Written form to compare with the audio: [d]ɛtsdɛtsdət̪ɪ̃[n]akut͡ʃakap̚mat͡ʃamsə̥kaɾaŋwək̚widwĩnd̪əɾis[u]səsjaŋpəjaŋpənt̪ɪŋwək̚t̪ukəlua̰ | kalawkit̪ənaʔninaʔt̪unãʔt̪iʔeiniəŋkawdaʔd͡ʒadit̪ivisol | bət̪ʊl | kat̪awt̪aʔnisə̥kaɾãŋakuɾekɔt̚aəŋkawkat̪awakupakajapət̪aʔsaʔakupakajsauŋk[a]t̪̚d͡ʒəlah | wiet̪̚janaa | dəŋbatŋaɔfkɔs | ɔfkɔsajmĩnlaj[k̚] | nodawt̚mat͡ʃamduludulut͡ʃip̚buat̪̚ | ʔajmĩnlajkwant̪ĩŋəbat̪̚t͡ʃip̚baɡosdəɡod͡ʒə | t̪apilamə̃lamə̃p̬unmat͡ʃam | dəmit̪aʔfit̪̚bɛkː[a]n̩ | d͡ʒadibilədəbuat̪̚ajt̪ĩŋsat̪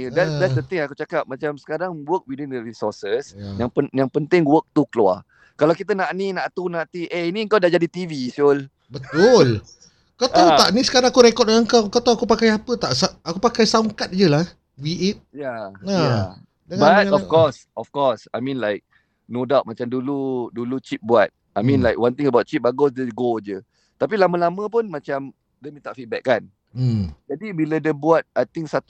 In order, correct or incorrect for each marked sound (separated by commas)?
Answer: correct, incorrect, incorrect, correct, correct, correct